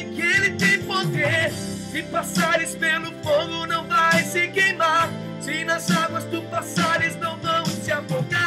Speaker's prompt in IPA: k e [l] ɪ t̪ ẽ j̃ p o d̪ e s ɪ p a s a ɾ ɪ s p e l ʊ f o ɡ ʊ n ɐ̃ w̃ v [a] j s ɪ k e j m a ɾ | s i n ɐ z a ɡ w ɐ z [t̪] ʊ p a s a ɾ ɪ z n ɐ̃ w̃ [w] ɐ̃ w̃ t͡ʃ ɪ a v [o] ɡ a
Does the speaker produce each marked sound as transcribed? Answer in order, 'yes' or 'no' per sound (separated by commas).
yes, yes, no, no, yes